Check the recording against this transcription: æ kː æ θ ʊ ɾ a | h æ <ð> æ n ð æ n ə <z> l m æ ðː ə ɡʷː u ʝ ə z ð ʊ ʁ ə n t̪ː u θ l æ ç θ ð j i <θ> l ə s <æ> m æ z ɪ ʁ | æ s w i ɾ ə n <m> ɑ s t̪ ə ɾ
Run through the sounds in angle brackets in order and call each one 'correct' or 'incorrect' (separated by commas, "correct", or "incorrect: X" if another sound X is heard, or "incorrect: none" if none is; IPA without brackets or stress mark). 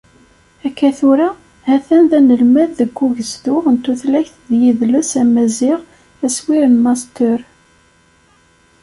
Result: incorrect: θ, incorrect: none, incorrect: ð, correct, correct